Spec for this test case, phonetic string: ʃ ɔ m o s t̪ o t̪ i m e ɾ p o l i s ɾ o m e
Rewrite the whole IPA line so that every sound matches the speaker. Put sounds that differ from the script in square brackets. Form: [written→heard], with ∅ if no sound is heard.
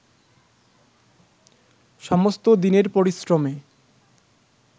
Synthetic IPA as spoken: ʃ ɔ m o s t̪ o [t̪→d̪] i [m→n] e ɾ p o [l→ɾ] i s ɾ o m e